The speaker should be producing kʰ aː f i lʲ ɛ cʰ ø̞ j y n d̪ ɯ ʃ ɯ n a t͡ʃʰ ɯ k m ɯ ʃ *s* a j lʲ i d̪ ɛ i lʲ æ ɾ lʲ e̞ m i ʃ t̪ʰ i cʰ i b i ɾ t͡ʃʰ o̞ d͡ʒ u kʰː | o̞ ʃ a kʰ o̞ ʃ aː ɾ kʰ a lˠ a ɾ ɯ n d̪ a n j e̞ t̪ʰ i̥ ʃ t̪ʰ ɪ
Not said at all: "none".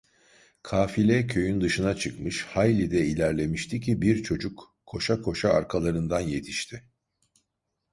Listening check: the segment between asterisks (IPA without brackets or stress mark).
h